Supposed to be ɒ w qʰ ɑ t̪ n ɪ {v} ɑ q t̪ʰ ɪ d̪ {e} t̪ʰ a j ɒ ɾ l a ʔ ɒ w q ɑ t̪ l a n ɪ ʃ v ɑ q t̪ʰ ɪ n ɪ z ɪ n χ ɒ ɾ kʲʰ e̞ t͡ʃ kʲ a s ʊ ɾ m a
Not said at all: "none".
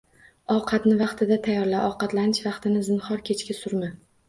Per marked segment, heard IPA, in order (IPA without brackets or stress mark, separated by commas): v, a